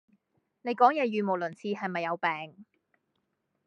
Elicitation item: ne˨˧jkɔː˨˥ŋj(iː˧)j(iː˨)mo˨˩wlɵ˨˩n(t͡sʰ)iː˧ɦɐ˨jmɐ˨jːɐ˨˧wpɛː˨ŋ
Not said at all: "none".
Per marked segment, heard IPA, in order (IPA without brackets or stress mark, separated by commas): ɛː˧, yː˨, t͡sʰ